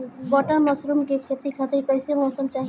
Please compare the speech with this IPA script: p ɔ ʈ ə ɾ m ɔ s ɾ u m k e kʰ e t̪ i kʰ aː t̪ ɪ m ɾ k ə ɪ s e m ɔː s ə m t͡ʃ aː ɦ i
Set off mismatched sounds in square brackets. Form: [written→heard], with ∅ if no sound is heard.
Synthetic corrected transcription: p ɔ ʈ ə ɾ m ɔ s ɾ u m k e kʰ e t̪ i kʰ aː t̪ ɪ [m→∅] ɾ k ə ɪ s e m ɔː s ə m t͡ʃ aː ɦ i